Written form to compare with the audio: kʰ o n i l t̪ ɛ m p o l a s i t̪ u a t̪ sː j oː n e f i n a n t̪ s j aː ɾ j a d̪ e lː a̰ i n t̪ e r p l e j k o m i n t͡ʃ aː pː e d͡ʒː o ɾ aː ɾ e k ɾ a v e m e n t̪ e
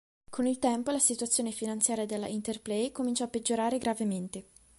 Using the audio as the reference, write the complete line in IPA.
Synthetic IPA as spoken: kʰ o n i l t̪ ɛ m p o l a s i t̪ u a t̪ sː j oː n e f i n a n t̪ s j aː ɾ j a d̪ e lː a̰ i n t̪ e r p l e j k o m i n t͡ʃ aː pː e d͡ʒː o ɾ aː ɾ e ɡ ɾ a v e m e n t̪ e